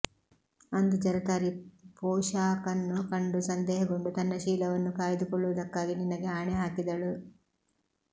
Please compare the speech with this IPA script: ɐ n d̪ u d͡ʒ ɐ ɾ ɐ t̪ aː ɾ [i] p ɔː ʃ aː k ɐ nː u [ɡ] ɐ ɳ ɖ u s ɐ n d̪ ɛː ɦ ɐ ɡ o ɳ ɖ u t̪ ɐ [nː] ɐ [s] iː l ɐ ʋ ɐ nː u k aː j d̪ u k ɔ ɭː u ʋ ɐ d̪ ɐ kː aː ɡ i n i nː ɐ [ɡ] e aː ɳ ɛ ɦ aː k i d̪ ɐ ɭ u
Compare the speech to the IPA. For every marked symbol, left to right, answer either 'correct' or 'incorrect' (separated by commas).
correct, incorrect, correct, incorrect, correct